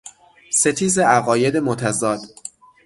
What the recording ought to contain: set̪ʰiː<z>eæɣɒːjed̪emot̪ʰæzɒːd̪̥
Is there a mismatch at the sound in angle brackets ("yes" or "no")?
no